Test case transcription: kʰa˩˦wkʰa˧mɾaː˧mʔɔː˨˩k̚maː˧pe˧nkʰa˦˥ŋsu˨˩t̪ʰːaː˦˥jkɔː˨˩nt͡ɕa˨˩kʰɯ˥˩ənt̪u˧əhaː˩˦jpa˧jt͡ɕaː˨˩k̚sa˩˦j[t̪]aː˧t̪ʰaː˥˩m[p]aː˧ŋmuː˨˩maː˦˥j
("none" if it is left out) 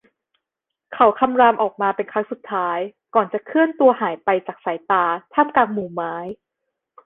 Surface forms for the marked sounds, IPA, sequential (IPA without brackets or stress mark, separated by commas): t̪, k